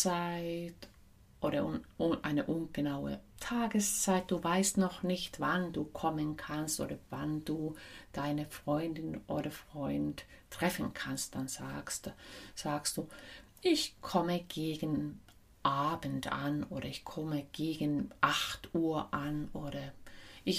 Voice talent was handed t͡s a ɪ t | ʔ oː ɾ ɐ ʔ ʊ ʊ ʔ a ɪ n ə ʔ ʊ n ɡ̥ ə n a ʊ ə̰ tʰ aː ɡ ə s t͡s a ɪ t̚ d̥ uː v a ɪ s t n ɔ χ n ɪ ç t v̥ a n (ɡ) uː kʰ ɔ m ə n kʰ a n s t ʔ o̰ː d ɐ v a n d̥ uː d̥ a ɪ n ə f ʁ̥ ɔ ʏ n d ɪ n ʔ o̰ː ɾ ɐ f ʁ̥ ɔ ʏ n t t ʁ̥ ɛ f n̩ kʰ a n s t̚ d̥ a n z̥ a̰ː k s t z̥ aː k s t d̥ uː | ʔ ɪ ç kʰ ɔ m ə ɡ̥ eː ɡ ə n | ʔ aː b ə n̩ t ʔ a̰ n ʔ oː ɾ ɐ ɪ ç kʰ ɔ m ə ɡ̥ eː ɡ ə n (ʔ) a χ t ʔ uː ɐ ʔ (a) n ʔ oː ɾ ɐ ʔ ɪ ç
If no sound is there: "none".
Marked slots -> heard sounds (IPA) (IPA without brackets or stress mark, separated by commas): d, ʔ, a